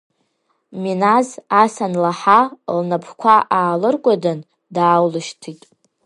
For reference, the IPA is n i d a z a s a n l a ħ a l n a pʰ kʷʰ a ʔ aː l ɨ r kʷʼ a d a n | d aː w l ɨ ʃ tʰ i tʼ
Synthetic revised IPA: m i n a z a s a n l a ħ a l n a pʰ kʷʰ a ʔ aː l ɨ r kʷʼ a d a n | d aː w l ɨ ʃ tʰ i tʼ

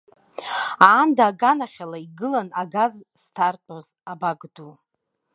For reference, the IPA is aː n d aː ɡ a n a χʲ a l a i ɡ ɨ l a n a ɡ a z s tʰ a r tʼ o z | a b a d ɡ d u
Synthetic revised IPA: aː n d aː ɡ a n a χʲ a l a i ɡ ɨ l a n a ɡ a z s tʰ a r tʼ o z | a b a ɡ d u

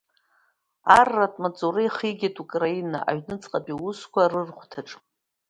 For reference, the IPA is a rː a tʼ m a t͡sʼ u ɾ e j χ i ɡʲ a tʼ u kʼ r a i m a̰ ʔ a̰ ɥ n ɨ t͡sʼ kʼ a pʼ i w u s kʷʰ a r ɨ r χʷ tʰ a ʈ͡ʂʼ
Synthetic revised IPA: a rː a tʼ m a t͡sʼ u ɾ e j χ i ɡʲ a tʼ u kʼ r a i n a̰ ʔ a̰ ɥ n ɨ t͡sʼ qʼ a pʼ i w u s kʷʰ a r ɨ r χʷ tʰ a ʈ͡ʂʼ

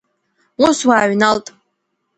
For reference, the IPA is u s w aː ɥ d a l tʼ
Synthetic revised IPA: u s w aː ɥ n a l tʼ

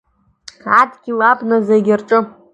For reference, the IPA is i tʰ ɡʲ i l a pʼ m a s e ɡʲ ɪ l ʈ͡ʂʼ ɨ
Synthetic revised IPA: a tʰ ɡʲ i l a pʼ n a z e ɡʲ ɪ r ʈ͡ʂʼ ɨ

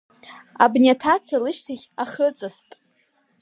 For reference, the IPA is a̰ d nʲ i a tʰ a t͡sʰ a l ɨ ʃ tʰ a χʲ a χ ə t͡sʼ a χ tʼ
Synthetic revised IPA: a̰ b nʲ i a tʰ a t͡sʰ a l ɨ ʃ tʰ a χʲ a χ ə t͡sʼ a s tʼ

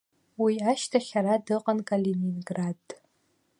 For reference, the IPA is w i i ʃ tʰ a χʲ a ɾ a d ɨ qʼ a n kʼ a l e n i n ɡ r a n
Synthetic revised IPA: w i a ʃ tʰ a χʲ a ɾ a d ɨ qʼ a n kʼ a l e n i n ɡ r a d

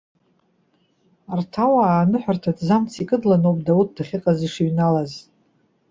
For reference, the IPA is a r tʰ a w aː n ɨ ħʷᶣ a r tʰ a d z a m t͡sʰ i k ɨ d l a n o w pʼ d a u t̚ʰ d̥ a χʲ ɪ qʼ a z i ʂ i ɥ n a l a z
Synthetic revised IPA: a r tʰ a w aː n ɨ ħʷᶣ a r tʰ a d z a m t͡sʰ i kʼ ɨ d l a n o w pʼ d a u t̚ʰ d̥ a χʲ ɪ qʼ a z i ʂ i ɥ n a l a z

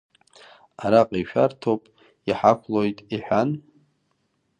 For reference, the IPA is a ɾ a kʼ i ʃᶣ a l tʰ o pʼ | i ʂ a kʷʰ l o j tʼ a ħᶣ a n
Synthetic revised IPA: a ɾ a qʼ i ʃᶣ a r tʰ o pʼ | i ħ a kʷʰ l o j tʼ i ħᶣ a n

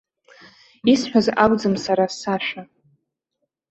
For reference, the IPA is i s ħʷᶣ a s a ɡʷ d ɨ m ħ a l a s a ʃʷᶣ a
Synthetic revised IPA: i s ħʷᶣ a z a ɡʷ d͡z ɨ m s a ɾ a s a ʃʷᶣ a

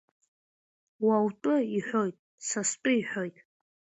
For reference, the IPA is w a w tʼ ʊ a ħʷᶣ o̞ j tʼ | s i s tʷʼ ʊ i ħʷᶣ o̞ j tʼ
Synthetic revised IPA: w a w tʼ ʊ i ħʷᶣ o̞ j tʼ | s a s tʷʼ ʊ i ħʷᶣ o̞ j tʼ

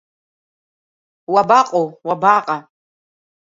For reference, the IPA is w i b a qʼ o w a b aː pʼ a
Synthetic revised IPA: w a b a qʼ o w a b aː qʼ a

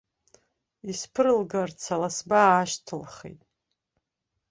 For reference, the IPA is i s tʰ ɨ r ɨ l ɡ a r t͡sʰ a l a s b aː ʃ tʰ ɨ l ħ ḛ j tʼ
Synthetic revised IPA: i s pʰ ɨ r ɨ l ɡ a r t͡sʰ a l a s b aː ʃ tʰ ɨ l χ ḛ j tʼ

